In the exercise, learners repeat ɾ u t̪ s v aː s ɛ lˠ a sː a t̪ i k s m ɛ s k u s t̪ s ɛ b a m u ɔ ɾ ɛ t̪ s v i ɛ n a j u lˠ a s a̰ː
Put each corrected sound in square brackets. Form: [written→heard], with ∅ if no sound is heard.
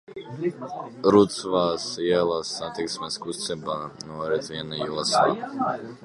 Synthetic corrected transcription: ɾ u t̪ s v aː s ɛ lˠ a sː a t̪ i k s m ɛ s k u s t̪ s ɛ b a [m→n] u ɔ ɾ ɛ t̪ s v i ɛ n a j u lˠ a s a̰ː